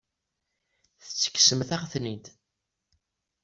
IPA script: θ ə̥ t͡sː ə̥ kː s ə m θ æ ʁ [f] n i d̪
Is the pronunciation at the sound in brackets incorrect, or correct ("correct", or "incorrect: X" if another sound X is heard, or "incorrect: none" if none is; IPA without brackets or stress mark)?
incorrect: θ